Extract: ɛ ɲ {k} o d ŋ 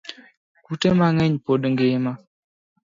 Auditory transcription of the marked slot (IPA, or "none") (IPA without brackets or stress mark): p